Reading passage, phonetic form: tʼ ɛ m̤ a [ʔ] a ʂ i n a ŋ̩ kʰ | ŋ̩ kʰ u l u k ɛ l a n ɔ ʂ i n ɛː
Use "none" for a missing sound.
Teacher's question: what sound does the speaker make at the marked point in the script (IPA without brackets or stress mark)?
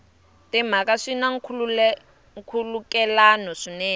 k